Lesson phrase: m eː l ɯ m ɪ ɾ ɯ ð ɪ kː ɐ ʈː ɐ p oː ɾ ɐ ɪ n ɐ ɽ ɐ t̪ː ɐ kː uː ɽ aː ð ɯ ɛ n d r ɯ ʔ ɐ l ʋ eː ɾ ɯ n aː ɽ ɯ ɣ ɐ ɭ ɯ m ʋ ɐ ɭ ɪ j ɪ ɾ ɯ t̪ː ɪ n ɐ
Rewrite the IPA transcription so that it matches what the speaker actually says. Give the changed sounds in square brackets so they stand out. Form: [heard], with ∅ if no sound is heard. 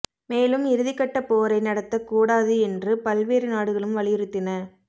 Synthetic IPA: m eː l ɯ m ɪ ɾ ɯ ð ɪ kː ɐ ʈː ɐ p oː ɾ ɐ ɪ n ɐ ɽ ɐ t̪ː ɐ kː uː ɽ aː ð ɯ ɛ n d r ɯ [p] ɐ l ʋ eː ɾ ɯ n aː ɽ ɯ ɣ ɐ ɭ ɯ m ʋ ɐ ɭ ɪ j ɪ ɾ ɯ t̪ː ɪ n ɐ